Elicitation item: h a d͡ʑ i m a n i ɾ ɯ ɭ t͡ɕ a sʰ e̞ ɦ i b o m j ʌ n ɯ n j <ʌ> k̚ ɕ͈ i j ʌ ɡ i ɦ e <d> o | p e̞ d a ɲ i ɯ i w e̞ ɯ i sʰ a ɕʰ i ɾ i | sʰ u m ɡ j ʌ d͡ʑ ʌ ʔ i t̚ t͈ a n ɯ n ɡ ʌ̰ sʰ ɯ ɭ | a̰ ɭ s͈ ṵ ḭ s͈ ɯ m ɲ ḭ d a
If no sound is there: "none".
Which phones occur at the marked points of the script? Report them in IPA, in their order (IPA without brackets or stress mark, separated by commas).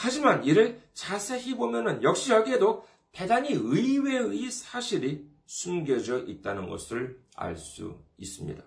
ʌ, d